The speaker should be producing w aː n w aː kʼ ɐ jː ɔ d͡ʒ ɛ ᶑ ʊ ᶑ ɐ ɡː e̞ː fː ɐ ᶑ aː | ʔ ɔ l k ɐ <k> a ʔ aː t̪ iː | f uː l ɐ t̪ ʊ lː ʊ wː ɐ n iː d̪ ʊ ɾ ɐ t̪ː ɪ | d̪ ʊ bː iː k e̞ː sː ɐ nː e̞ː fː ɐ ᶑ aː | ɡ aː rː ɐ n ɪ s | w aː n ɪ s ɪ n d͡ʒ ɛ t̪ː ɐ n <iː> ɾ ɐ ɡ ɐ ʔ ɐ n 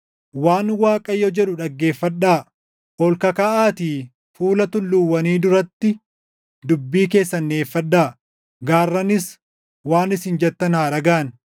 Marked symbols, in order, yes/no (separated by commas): yes, no